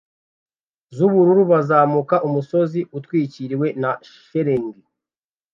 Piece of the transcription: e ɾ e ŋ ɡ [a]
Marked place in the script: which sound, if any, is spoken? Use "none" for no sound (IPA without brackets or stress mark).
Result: i